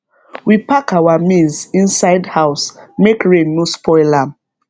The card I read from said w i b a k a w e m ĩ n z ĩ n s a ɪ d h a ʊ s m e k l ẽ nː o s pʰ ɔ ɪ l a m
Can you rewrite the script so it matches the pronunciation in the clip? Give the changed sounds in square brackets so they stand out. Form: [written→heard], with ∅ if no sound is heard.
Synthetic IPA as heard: w i [b→p] a k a w [e→a] m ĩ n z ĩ n s a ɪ d h a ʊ s m e k [l→ɹ] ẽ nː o s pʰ ɔ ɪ l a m